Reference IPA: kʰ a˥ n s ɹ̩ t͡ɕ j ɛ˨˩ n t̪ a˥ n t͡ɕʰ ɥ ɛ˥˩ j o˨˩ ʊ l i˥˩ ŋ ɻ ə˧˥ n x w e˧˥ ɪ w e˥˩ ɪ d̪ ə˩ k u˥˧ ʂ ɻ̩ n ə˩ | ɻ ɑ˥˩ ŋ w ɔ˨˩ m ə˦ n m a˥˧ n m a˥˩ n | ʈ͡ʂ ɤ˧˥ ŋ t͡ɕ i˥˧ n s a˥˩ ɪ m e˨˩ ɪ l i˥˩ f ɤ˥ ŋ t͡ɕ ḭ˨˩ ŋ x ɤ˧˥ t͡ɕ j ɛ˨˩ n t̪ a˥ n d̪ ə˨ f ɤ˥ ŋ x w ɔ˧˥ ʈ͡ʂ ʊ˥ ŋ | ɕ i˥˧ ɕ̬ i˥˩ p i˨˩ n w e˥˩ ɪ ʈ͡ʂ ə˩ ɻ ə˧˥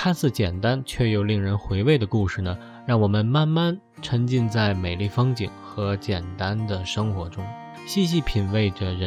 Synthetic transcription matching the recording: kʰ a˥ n s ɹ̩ t͡ɕ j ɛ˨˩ n t̪ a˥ n t͡ɕʰ ɥ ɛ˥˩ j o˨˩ ʊ l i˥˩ ŋ ɻ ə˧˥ n x w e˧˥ ɪ w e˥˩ ɪ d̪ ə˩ k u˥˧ ʂ ɻ̩ n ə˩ | ɻ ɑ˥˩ ŋ w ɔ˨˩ m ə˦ n m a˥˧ n m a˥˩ n | ʈ͡ʂʰ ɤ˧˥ ŋ t͡ɕ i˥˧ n t͡s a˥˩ ɪ m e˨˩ ɪ l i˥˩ f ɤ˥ ŋ t͡ɕ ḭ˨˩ ŋ x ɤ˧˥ t͡ɕ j ɛ˨˩ n t̪ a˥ n d̪ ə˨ ʂ ɤ˥ ŋ x w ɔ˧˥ ʈ͡ʂ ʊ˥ ŋ | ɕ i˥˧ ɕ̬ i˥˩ pʰ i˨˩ n w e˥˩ ɪ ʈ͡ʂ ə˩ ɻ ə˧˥